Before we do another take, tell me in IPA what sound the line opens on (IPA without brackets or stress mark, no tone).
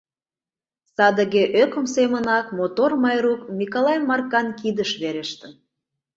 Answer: s